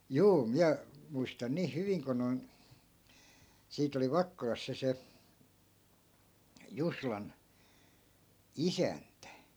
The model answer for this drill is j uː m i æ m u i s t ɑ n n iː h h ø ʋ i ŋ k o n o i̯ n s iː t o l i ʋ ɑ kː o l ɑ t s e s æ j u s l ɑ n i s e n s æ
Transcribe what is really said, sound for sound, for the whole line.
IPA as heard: j uː m i æ m u i s t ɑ n n iː h h y ʋ i ŋ k o n o i̯ n s iː t o l i ʋ ɑ kː o l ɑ s s e s e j u s l ɑ n i s æ n t æ